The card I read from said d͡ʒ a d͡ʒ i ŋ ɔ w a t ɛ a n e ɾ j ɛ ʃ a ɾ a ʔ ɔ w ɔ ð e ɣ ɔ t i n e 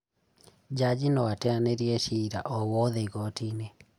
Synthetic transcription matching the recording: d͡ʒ a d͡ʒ i n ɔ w a t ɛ a n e ɾ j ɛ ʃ i ɾ a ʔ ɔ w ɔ ð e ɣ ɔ t i n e